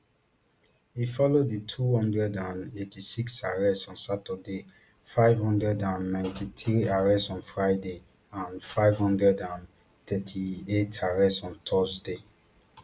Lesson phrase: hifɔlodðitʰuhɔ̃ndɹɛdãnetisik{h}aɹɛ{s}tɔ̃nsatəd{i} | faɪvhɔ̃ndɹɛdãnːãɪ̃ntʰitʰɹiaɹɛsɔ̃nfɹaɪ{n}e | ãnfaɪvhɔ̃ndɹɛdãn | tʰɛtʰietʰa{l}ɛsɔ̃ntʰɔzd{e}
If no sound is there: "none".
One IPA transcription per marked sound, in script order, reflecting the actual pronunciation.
s, s, e, d, ɹ, e

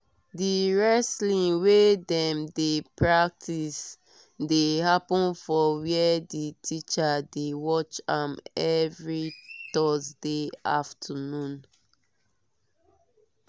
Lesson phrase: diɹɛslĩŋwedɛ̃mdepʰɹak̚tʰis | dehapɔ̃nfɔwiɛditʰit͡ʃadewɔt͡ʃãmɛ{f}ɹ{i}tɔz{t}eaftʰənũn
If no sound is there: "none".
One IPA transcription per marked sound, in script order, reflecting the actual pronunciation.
v, i, d

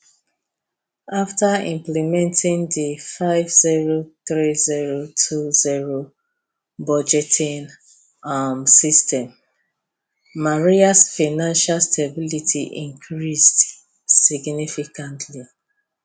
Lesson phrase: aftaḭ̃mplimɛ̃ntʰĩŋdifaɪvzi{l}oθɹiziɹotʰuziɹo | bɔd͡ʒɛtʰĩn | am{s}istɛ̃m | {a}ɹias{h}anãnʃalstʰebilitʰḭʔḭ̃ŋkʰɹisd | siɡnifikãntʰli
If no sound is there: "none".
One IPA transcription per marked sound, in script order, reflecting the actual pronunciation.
ɹ, s, a, f

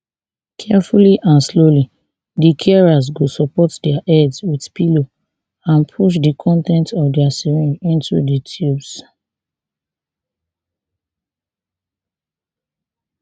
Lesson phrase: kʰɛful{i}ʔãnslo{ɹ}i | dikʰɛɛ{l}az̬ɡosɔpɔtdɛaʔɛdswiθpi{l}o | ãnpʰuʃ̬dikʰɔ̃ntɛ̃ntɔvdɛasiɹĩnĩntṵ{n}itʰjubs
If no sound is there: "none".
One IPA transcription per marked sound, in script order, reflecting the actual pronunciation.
i, l, ɹ, l, d

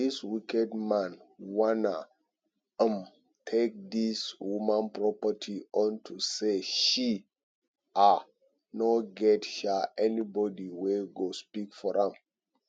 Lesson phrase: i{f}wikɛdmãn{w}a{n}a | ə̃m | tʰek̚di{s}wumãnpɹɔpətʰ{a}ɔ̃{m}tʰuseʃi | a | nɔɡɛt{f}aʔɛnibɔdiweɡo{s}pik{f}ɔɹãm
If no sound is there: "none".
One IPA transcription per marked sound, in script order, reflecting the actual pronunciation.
s, w, n, s, i, n, ʃ, s, f

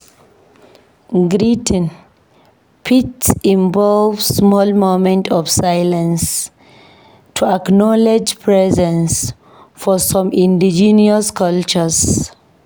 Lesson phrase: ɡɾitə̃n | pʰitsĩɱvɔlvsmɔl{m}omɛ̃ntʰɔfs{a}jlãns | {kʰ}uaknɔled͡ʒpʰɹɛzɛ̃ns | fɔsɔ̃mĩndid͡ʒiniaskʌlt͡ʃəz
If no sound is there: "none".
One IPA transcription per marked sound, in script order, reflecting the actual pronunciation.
m, a, tʰ

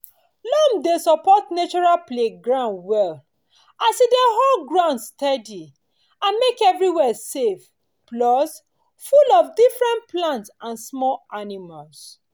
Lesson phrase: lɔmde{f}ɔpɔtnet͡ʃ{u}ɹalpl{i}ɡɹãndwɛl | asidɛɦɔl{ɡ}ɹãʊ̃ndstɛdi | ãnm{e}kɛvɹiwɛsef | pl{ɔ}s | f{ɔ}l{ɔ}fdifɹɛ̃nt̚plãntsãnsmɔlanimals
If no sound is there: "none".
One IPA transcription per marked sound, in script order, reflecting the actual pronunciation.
s, ɔ, e, ɡ, e, ɔ, u, ɔ

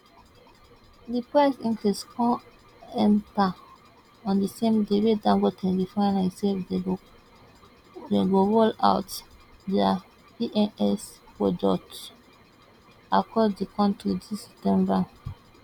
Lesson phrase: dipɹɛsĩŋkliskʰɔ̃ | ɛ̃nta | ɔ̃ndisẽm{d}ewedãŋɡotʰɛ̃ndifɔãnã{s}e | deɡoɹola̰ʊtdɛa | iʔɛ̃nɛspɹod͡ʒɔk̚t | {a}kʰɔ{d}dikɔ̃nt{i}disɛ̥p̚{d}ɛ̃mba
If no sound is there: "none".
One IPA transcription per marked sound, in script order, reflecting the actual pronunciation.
d, s, a, d, i, t

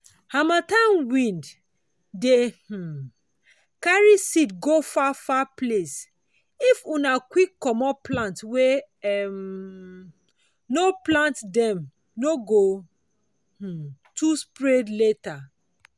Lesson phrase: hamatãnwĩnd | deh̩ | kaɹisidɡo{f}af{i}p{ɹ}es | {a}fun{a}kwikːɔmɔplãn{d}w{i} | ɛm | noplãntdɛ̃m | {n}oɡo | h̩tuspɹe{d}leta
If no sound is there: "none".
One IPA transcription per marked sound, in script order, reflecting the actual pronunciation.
f, a, l, i, a, t, e, n, d

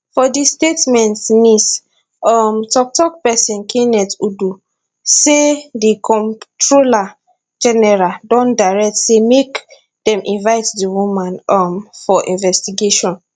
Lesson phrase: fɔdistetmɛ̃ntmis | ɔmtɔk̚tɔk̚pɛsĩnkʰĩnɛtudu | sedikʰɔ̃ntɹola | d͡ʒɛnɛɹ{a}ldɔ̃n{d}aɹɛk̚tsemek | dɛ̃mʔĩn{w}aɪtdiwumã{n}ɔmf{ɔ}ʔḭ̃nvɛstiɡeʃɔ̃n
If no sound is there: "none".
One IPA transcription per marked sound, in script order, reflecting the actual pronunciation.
a, d, v, n, ɔ

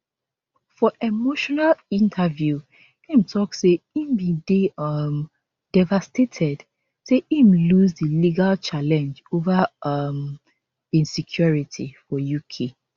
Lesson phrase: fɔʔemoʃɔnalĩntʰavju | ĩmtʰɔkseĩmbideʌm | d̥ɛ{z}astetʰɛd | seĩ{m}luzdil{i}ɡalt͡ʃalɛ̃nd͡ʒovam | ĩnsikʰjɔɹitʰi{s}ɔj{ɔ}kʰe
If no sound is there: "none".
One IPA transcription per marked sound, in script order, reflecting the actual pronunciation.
v, m, i, f, u

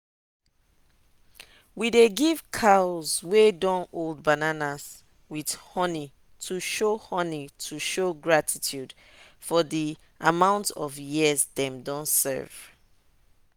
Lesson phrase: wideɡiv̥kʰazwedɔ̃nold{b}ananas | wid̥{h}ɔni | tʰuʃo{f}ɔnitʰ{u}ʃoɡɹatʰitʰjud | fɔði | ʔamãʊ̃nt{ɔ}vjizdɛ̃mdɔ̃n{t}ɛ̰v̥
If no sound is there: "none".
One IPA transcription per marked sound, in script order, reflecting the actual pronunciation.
b, h, h, u, ɔ, s

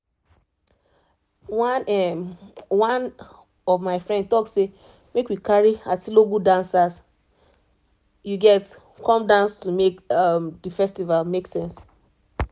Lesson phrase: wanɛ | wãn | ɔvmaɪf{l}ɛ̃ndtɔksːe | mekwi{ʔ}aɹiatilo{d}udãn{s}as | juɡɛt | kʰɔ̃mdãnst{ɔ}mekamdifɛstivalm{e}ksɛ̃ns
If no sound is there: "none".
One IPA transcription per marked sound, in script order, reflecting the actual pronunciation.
ɹ, k, ɡ, s, u, e

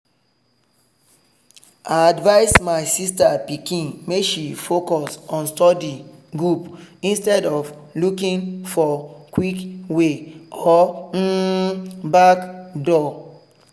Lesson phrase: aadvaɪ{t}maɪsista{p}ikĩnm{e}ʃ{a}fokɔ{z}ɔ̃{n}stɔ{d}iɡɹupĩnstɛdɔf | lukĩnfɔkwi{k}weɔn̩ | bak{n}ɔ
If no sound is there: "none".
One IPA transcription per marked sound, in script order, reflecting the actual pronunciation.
s, p, e, i, s, n, d, k, d

